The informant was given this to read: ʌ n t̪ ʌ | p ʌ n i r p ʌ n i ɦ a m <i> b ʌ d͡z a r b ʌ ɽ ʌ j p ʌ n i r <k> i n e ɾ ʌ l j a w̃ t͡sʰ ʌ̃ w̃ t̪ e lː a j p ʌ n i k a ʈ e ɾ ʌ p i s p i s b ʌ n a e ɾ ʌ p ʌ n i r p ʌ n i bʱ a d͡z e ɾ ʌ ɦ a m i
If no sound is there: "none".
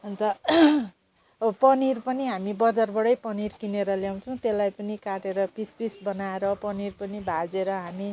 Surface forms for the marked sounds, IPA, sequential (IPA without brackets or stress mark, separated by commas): i, k